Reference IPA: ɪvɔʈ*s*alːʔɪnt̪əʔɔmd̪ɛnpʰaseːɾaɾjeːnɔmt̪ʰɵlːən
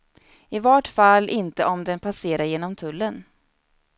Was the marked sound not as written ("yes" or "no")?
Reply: yes